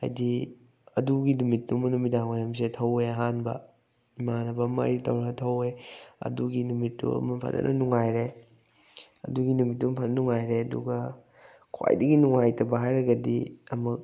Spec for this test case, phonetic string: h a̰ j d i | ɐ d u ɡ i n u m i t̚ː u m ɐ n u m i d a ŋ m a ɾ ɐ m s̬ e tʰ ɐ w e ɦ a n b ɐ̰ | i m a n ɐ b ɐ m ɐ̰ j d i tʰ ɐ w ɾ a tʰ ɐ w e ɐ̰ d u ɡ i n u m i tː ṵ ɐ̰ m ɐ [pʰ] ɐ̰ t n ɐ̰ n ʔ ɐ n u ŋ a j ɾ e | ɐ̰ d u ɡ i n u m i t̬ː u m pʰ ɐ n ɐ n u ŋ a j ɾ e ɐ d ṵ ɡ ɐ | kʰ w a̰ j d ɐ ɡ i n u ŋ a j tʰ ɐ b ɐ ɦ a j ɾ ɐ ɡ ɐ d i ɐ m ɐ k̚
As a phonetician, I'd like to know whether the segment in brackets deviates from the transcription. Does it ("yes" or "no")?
no